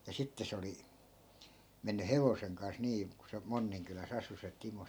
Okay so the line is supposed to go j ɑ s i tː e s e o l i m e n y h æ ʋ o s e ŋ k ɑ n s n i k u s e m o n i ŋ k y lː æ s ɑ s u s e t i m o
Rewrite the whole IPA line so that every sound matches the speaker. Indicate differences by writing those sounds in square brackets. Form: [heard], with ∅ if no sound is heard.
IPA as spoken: j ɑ s i tː e s e o l i m e [nː] y h [e] ʋ o s e ŋ k ɑ n s n [iː] k u s e m o [nː] i ŋ k y [l] æ s ɑ s u s e t i m o